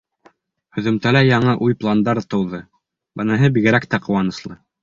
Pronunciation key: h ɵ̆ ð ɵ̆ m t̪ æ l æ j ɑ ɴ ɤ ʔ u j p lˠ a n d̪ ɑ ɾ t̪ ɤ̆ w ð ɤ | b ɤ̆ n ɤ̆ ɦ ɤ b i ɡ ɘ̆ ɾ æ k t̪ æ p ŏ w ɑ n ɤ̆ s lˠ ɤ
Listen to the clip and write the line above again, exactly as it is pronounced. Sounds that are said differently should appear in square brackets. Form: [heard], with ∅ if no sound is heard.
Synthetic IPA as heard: h ɵ̆ ð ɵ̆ m t̪ æ l æ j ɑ ɴ ɤ ʔ u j p lˠ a n d̪ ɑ ɾ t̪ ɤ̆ w ð ɤ | b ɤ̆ n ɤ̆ ɦ ɤ b i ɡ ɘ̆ ɾ æ k t̪ æ [q] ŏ w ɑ n ɤ̆ s lˠ ɤ